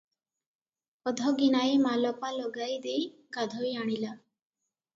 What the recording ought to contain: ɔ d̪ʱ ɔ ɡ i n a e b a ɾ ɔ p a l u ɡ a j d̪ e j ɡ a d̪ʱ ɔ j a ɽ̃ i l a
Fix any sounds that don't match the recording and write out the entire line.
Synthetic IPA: ɔ d̪ʱ ɔ ɡ i n a e m a l ɔ p a l ɔ ɡ a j d̪ e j ɡ a d̪ʱ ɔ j a ɽ̃ i l a